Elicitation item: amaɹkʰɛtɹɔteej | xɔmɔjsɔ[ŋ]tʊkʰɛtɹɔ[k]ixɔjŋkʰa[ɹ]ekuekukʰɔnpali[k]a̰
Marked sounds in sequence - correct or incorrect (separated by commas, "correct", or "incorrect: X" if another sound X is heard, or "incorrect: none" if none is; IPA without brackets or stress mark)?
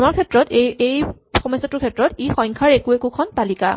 incorrect: none, incorrect: t, correct, correct